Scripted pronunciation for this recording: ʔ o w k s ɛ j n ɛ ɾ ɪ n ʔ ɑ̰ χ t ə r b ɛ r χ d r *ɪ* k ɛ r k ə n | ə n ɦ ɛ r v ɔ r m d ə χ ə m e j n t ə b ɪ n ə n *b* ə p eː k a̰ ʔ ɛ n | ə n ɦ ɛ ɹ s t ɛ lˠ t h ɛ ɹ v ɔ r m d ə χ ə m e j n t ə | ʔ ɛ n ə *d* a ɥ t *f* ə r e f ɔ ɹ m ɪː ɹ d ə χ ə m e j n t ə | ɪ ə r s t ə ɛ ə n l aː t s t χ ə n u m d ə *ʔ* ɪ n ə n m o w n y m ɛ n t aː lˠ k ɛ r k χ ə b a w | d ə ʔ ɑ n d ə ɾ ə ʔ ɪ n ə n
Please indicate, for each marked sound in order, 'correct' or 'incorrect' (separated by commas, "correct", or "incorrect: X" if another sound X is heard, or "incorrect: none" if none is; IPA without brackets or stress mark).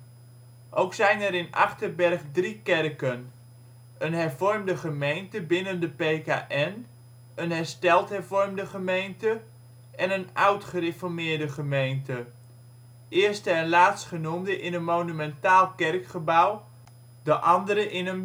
incorrect: i, incorrect: d, incorrect: n, incorrect: χ, correct